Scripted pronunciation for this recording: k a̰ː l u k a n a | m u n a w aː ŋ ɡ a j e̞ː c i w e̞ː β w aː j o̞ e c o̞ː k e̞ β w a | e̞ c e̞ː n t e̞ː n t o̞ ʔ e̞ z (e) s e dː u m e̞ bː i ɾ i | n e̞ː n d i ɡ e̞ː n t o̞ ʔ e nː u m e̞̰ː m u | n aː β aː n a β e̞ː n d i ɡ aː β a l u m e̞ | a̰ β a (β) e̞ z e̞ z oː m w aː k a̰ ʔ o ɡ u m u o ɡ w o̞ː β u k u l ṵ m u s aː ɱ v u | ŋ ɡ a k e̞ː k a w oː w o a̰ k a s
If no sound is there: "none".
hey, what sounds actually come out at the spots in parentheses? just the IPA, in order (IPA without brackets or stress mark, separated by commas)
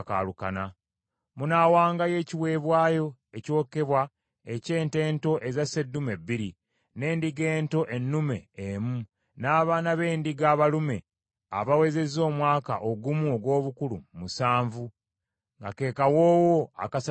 a, w